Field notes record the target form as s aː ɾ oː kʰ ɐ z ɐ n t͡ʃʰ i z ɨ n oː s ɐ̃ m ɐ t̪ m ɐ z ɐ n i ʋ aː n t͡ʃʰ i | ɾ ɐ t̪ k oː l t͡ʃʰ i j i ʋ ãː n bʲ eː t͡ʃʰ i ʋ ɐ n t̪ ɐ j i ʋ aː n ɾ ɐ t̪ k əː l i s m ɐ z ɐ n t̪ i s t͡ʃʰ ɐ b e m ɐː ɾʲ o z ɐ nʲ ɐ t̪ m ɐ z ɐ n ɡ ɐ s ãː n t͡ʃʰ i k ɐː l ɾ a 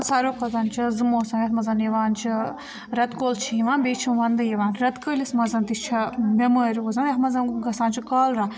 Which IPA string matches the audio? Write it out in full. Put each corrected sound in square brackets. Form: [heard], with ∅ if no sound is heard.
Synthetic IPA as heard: s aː ɾ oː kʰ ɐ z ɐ n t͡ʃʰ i z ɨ [m] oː s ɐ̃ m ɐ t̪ m ɐ z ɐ n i ʋ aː n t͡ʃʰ i | ɾ ɐ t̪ k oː l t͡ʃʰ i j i ʋ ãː n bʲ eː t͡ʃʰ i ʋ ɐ n [d̪] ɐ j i ʋ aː n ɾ ɐ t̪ k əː l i s m ɐ z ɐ n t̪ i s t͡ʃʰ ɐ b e m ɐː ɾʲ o z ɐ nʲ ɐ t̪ m ɐ z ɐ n ɡ ɐ s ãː n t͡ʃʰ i k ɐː l ɾ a